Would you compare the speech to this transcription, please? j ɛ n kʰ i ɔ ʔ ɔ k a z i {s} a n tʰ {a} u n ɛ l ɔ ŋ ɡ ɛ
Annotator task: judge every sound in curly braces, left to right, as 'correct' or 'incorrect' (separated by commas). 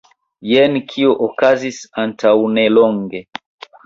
correct, correct